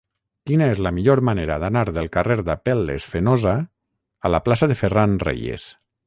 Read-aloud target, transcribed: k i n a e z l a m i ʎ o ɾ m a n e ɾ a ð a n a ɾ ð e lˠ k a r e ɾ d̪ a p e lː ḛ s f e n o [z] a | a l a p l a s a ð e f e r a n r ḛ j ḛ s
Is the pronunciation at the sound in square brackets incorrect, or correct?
correct